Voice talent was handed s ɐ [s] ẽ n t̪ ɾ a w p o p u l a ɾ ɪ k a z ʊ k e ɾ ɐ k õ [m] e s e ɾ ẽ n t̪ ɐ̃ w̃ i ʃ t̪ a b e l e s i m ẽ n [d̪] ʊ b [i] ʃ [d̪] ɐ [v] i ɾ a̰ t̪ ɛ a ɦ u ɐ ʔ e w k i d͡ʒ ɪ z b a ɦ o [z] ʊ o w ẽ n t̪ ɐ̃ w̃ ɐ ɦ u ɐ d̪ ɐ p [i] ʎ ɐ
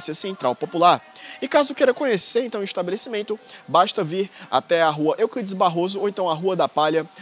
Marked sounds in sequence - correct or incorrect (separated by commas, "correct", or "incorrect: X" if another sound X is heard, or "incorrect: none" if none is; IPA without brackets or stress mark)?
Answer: correct, incorrect: ɲ, incorrect: t̪, incorrect: a, incorrect: t̪, correct, correct, incorrect: a